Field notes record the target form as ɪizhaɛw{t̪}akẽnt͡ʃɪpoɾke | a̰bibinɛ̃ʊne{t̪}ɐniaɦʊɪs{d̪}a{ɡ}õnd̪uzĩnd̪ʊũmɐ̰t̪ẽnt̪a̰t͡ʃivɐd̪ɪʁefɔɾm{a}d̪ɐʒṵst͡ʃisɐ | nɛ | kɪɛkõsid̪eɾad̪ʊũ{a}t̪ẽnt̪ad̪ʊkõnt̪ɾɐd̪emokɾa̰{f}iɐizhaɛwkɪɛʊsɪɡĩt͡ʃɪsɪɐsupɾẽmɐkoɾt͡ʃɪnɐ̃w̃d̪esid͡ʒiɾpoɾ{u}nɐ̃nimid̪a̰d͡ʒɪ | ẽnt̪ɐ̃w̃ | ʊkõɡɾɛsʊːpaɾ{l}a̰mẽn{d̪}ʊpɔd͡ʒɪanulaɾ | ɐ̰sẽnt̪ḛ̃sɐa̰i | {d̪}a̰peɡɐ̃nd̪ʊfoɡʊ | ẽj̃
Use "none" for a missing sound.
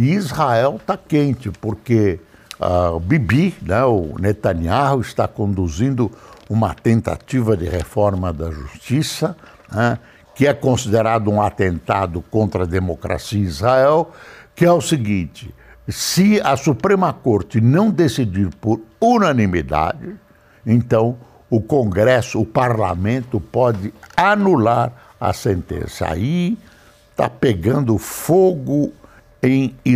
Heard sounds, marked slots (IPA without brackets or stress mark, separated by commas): t̪, t̪, t̪, k, ɐ, a, s, u, l, t̪, t̪